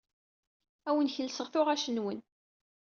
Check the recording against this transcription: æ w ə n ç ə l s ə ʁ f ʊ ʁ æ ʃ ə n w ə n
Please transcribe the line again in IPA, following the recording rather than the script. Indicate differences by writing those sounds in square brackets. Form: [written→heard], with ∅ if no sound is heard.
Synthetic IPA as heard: æ w ə n ç ə l s ə ʁ [f→θ] ʊ ʁ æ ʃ ə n w ə n